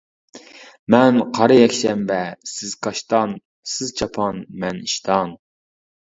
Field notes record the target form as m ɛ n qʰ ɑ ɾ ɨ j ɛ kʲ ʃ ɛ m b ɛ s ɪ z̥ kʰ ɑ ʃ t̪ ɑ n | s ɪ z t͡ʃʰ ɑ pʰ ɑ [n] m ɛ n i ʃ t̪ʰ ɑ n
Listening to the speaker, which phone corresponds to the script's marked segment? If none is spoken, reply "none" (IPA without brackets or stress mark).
n